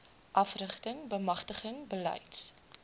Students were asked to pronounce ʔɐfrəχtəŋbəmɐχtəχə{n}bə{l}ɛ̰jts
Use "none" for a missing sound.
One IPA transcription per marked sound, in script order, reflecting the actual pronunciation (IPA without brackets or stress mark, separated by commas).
ŋ, l